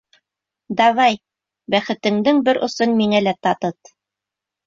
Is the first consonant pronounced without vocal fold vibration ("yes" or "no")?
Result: no